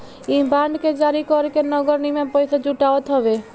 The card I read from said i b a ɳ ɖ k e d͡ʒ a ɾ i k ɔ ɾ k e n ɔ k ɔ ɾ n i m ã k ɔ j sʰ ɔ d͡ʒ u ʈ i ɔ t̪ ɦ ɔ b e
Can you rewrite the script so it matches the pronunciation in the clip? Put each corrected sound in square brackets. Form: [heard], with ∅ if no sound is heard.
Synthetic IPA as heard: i b a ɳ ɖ k e d͡ʒ a ɾ i k ɔ ɾ k e n ɔ [ɡ] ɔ ɾ n i m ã [p] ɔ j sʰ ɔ d͡ʒ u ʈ [a] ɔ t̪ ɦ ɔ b e